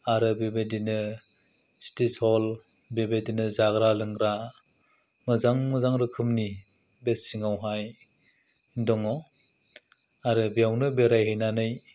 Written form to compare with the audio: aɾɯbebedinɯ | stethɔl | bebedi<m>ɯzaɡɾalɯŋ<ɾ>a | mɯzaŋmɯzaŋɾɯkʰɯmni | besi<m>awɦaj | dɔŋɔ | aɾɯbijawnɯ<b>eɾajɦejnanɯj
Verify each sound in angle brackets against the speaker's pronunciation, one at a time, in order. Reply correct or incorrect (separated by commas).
incorrect, correct, incorrect, correct